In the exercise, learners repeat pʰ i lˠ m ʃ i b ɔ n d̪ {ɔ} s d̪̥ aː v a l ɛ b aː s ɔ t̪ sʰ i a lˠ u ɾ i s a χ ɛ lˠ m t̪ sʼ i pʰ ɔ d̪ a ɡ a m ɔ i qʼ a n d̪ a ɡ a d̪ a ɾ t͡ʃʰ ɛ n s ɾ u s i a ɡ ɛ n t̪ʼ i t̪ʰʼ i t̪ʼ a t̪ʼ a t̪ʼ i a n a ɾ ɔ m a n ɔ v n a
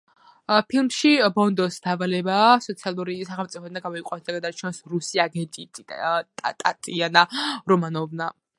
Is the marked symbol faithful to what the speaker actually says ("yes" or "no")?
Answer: yes